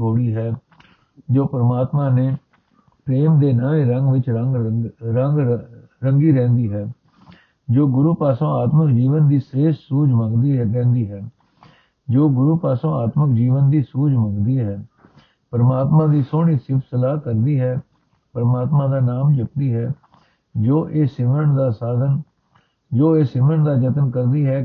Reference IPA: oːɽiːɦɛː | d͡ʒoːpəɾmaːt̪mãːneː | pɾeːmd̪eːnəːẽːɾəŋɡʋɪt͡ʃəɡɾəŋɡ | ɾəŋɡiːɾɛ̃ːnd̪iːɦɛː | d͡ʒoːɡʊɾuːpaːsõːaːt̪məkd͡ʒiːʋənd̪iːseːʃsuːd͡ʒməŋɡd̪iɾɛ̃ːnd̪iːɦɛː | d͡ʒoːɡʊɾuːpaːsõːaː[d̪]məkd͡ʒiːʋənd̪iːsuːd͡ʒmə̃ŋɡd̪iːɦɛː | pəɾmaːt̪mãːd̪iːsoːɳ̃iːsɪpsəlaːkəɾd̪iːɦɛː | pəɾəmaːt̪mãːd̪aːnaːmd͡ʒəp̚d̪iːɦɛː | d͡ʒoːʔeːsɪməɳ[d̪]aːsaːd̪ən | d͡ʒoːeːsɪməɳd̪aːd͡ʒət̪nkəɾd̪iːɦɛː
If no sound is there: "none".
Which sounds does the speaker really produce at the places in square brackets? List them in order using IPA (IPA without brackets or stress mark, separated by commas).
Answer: t̪, d̪